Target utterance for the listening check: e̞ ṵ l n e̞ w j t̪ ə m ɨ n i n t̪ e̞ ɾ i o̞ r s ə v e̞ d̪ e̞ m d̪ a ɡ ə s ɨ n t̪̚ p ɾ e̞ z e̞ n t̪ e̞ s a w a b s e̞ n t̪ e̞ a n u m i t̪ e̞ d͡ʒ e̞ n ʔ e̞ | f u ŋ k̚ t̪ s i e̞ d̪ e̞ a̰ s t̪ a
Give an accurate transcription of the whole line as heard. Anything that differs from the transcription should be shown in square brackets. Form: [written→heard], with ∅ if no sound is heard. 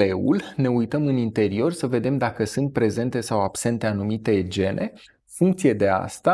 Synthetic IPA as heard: e̞ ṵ l n e̞ [w→u] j t̪ ə m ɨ n i n t̪ e̞ ɾ i o̞ r s ə v e̞ d̪ e̞ m d̪ a [ɡ→k] ə s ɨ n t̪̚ p ɾ e̞ z e̞ n t̪ e̞ s a w a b s e̞ n t̪ e̞ a n u m i t̪ e̞ d͡ʒ e̞ n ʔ e̞ | f u ŋ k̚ t̪ s i e̞ d̪ e̞ a̰ s t̪ a